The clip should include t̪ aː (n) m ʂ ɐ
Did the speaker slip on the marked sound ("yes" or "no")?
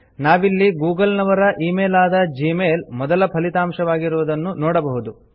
yes